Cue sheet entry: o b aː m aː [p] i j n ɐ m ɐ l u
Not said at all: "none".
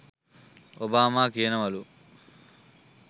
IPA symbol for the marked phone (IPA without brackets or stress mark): k